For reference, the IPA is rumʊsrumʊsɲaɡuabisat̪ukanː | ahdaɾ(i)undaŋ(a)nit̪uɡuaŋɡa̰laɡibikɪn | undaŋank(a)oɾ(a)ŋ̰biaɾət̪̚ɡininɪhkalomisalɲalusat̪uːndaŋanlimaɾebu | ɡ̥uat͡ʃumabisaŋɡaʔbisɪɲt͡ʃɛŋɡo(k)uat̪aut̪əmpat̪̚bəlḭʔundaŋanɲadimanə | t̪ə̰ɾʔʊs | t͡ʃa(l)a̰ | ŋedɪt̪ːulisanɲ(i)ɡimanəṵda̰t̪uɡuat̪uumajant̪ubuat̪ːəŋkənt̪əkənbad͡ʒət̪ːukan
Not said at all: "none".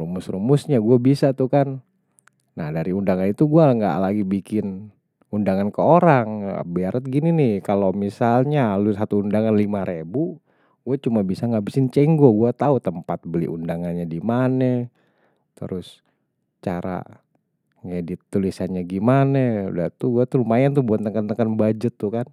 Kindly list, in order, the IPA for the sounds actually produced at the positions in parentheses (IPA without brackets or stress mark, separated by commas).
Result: i, a, ə, a, ɡ, ɾ, a